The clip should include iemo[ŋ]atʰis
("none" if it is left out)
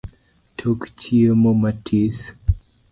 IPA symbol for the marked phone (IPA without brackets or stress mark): m